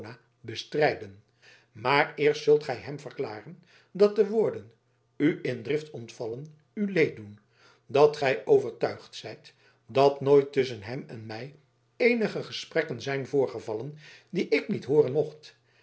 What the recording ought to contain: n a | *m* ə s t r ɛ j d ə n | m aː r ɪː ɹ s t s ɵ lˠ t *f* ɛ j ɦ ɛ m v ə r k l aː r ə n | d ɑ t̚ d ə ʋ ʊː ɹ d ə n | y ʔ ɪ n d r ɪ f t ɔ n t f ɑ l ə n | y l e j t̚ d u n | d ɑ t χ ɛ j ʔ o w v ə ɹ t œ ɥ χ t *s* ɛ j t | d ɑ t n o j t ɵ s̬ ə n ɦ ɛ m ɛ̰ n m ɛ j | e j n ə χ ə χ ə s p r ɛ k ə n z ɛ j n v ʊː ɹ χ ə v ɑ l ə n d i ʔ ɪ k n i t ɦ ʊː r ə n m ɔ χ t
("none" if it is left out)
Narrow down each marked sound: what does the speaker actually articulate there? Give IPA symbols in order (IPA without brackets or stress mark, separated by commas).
b, χ, s